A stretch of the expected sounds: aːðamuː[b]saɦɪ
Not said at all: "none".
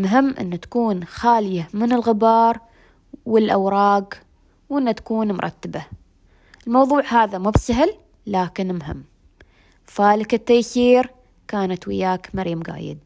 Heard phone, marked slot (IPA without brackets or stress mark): b